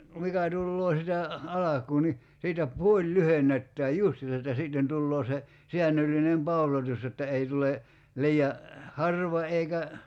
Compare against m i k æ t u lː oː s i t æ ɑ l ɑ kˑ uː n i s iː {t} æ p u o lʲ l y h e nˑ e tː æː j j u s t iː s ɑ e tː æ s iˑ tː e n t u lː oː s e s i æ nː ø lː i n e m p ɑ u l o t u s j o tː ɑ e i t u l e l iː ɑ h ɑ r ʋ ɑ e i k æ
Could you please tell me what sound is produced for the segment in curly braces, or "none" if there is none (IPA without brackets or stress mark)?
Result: t